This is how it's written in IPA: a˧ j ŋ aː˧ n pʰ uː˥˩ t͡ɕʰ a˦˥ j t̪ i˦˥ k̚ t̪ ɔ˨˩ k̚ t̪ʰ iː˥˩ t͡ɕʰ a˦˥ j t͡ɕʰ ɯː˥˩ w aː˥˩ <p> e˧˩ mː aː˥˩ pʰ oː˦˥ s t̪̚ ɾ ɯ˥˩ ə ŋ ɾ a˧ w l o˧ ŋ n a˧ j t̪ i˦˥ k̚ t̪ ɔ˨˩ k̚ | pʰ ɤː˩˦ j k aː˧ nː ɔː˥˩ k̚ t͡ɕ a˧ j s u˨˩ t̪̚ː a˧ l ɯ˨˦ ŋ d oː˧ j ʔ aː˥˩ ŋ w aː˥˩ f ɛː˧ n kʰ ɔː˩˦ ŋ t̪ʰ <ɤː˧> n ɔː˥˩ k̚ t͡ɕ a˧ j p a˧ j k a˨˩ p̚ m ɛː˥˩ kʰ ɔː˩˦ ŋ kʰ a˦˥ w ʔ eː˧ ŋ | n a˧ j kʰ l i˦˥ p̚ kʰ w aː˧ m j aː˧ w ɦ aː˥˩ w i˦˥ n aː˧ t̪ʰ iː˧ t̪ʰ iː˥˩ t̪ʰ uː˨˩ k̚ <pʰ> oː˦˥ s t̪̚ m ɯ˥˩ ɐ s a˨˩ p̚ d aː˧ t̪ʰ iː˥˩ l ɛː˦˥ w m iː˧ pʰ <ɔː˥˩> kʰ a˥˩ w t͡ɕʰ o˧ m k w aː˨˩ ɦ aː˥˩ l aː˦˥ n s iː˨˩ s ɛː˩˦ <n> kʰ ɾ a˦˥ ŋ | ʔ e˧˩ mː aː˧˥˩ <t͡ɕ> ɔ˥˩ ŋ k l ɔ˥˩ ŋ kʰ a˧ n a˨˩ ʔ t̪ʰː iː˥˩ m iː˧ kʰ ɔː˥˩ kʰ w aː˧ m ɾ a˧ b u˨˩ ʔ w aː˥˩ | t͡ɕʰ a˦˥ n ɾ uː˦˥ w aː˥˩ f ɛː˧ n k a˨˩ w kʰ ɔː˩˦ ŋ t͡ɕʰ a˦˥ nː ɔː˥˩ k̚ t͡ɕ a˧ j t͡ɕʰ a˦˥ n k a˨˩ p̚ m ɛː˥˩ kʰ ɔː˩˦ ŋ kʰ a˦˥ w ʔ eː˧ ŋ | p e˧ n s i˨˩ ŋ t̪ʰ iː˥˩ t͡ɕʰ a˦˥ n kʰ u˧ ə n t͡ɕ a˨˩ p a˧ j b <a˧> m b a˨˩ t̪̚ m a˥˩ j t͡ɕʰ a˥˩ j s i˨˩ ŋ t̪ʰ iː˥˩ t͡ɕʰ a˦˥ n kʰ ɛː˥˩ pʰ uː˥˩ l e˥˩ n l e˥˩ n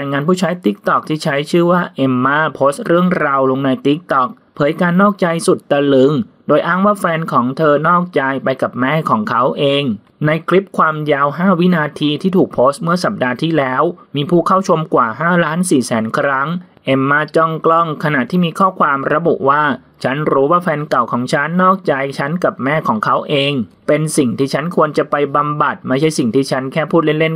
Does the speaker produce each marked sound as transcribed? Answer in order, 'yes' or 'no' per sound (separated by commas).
no, yes, yes, no, yes, yes, yes